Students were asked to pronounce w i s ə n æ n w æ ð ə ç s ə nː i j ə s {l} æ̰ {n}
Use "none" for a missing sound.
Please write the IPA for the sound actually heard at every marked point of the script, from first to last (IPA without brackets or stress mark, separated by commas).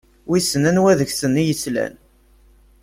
l, n